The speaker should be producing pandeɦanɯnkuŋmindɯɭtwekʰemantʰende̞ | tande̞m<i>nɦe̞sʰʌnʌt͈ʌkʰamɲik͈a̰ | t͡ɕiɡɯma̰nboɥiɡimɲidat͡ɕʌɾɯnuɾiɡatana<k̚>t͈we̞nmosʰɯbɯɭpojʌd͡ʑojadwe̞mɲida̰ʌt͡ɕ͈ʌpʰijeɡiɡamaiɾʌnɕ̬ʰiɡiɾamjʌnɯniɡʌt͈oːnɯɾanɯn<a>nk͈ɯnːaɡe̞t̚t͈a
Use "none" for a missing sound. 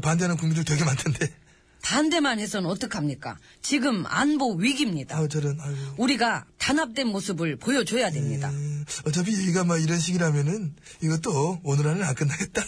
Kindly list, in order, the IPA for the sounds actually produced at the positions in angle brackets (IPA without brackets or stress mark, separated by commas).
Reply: a, p̚, a